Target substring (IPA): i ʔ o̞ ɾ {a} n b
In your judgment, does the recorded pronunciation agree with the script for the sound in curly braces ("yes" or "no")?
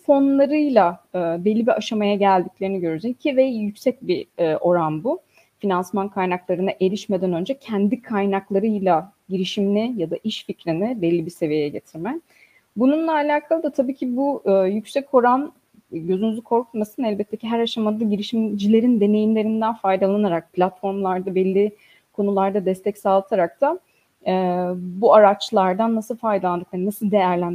yes